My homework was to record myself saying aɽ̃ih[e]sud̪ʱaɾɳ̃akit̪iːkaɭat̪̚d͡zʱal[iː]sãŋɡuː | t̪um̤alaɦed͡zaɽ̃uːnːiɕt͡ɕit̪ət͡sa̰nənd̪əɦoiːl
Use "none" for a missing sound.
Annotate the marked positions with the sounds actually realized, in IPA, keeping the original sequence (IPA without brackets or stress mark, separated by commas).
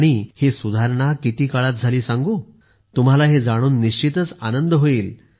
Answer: e, iː